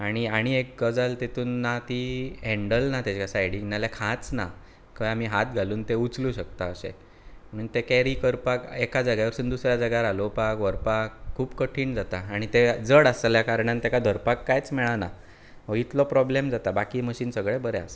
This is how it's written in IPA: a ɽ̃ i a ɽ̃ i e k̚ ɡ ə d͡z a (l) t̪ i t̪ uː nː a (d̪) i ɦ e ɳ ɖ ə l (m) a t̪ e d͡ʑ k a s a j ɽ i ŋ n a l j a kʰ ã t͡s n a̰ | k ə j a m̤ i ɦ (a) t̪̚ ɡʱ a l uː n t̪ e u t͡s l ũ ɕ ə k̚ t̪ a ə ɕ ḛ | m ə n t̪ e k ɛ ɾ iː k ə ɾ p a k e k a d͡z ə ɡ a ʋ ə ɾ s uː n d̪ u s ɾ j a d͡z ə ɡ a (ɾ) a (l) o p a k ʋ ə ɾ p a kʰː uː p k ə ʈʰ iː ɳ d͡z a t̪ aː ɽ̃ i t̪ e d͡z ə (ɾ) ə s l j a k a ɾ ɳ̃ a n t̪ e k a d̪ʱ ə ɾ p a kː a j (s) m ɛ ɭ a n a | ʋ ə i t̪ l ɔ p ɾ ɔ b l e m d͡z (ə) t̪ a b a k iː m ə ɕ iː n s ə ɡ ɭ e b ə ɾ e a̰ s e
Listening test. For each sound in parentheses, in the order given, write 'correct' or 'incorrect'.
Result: correct, incorrect: t̪, incorrect: n, correct, correct, correct, incorrect: ɽ, incorrect: t͡s, incorrect: a

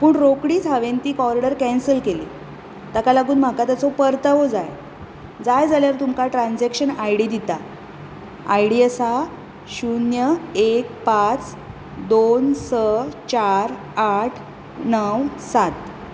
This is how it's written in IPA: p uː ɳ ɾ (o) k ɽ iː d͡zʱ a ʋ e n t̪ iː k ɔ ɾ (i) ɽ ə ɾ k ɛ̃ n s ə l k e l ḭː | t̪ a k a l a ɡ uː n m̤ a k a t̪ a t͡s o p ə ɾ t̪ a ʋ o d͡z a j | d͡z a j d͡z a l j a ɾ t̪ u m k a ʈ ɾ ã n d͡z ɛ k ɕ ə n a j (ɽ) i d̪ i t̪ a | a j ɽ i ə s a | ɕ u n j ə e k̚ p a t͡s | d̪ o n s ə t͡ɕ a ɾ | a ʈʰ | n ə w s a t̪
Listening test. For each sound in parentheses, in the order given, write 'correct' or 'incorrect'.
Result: correct, correct, correct

